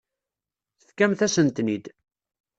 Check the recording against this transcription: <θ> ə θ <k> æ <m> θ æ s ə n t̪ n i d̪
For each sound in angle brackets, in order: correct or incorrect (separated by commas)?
correct, correct, correct